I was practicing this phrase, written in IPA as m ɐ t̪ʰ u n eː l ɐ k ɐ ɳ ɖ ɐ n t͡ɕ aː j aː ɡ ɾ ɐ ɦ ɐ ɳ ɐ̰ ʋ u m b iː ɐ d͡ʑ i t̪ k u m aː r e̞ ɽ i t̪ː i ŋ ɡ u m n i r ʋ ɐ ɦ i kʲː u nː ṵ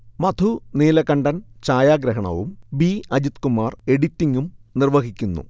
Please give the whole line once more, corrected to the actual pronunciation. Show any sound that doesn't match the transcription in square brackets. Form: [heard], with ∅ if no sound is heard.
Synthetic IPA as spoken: m ɐ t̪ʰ u n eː l ɐ k ɐ ɳ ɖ ɐ n t͡ɕ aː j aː ɡ ɾ ɐ ɦ ɐ ɳ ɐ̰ ʋ u m b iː ɐ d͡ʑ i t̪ k u m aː r e̞ ɽ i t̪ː i ŋ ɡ u m n i r ʋ ɐ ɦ i kʲː u nː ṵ

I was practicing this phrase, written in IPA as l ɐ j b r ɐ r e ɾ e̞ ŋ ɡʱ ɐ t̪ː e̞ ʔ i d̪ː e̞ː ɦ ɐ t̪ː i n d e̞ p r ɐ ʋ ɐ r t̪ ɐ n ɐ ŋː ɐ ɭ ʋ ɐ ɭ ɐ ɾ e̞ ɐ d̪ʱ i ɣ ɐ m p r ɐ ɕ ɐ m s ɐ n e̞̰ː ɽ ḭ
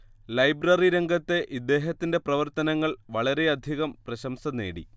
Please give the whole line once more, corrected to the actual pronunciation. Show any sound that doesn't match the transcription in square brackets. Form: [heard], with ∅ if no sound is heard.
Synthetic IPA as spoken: l ɐ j b r ɐ r [i] ɾ e̞ ŋ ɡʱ ɐ t̪ː e̞ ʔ i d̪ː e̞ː ɦ ɐ t̪ː i n d e̞ p r ɐ ʋ ɐ r t̪ ɐ n ɐ ŋː ɐ ɭ ʋ ɐ ɭ ɐ ɾ e̞ ɐ d̪ʱ i ɣ ɐ m p r ɐ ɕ ɐ m s ɐ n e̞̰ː ɽ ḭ

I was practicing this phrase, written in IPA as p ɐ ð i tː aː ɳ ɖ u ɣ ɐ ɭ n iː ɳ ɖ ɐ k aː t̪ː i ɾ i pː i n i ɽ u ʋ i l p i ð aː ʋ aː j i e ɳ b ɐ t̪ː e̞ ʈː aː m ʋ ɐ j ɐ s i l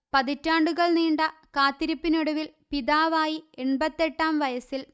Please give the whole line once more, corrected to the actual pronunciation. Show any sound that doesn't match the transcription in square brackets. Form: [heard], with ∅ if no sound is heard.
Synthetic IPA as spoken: p ɐ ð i tː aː ɳ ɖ u ɣ ɐ ɭ n iː ɳ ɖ ɐ k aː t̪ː i ɾ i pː i n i ɽ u ʋ i l p i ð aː ʋ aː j i e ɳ b ɐ t̪ː e̞ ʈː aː m ʋ ɐ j ɐ s i l

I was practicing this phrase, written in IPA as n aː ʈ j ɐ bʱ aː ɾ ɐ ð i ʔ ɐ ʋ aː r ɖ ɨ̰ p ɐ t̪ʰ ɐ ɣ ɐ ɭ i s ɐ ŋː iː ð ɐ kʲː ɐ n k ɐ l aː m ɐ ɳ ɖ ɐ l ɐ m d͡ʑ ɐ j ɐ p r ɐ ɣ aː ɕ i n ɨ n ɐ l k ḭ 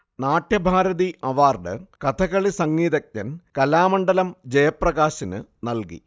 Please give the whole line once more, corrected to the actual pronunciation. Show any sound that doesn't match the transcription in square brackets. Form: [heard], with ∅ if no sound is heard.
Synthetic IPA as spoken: n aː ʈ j ɐ bʱ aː ɾ ɐ ð i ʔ ɐ ʋ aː r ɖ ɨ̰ [k] ɐ t̪ʰ ɐ ɣ ɐ ɭ i s ɐ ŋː iː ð ɐ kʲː ɐ n k ɐ l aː m ɐ ɳ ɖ ɐ l ɐ m d͡ʑ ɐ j ɐ p r ɐ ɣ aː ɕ i n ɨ n ɐ l k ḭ

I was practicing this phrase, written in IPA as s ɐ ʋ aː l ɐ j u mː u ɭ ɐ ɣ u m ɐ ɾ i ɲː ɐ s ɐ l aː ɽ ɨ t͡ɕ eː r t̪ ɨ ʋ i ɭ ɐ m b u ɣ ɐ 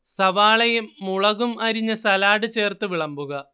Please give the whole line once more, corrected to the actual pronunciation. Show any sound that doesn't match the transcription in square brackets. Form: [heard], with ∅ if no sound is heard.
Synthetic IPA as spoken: s ɐ ʋ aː [ɭ] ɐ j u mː u ɭ ɐ ɣ u m ɐ ɾ i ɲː ɐ s ɐ l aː ɽ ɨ t͡ɕ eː r t̪ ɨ ʋ i ɭ ɐ m b u ɣ ɐ

